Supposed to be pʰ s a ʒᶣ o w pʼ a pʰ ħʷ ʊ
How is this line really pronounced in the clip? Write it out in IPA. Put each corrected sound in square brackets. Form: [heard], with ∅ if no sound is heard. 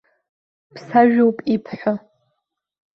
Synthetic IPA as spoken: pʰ s a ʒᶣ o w pʼ [i] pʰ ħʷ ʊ